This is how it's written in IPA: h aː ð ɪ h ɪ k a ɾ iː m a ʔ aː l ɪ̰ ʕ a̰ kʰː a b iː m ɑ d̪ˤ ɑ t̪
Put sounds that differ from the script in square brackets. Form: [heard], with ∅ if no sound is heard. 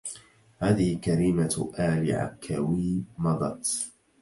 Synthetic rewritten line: h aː ð ɪ h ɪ k a ɾ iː m a ʔ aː l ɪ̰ ʕ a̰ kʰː a [w] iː m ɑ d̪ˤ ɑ t̪